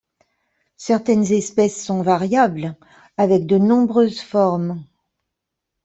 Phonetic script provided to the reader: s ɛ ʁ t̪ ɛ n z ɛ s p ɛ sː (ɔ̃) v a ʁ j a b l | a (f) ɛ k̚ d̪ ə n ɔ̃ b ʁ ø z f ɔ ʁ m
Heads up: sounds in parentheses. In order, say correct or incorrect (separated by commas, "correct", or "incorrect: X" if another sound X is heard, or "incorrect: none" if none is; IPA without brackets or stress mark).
correct, incorrect: v